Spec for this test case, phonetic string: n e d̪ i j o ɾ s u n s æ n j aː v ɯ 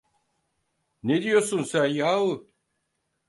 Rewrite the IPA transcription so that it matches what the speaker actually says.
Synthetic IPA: n e d̪ i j o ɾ s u n s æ n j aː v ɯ